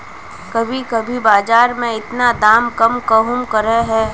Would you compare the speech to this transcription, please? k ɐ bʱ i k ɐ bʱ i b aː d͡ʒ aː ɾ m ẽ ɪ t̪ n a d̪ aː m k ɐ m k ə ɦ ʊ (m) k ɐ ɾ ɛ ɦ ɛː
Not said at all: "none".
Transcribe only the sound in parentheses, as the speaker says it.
m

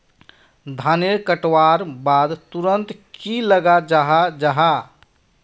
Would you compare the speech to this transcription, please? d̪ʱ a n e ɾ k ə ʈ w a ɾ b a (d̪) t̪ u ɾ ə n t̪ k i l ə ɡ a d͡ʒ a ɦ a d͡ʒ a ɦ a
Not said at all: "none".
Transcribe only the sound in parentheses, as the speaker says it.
d̪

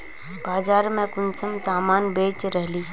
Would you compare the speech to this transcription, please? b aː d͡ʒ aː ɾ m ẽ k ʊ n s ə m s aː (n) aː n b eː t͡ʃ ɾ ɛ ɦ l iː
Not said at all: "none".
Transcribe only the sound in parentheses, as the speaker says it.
m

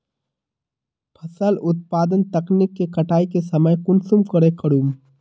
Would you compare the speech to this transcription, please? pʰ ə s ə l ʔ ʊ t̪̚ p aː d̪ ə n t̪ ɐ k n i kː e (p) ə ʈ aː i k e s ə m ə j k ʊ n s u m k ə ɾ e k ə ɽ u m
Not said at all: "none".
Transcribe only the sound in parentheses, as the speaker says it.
k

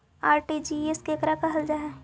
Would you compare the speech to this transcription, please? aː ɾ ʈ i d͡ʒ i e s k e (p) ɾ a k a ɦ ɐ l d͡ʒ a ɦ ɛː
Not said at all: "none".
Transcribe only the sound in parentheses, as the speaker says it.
k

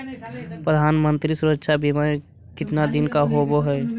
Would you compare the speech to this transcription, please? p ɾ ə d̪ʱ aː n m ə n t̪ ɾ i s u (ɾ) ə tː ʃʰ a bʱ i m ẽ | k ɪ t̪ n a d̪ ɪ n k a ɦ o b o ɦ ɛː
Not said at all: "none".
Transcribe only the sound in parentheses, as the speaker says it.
ɾ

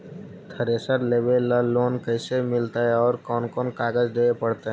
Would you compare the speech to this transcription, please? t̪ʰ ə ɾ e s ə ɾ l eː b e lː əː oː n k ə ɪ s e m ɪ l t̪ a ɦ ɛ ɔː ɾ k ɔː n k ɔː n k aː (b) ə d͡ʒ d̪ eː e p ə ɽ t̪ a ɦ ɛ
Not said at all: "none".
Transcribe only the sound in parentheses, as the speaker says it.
ɡ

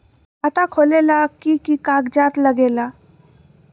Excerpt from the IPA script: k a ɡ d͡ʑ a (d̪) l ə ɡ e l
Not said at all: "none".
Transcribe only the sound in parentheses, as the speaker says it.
t̪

